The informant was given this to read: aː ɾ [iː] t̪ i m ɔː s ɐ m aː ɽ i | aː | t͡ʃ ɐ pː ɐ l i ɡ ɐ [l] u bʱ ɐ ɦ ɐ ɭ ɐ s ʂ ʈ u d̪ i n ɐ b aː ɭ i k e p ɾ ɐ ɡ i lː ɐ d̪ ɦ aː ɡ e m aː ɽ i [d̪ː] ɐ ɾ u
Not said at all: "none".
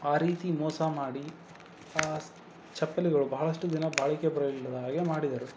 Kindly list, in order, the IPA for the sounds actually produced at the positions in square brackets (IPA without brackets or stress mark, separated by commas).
iː, ɭ, d̪